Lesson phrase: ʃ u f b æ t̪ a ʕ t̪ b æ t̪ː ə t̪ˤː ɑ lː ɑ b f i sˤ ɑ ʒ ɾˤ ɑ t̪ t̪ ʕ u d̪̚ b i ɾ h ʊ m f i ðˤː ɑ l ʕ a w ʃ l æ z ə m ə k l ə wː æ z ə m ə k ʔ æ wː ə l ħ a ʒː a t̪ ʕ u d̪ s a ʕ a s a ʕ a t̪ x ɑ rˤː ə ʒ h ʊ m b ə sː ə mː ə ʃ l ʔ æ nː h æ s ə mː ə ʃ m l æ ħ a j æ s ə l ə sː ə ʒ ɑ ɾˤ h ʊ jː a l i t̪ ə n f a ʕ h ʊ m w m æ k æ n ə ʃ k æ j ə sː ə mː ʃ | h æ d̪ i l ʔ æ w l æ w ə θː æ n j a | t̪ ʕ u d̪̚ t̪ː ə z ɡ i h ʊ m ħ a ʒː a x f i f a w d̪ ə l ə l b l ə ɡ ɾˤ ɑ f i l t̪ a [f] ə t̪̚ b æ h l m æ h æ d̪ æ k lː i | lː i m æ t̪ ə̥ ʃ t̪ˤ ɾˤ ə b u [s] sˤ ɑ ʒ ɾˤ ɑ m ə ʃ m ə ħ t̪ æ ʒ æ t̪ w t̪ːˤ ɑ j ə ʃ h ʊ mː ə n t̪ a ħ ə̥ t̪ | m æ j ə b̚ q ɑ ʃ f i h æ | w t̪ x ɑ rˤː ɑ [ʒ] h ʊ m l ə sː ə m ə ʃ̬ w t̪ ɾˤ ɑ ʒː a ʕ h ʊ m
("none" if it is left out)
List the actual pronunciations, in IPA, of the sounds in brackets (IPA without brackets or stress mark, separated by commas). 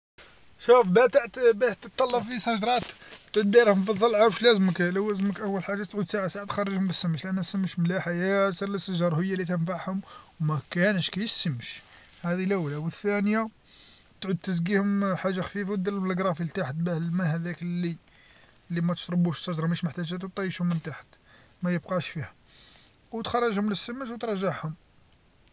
ħ, ʃ, ʒ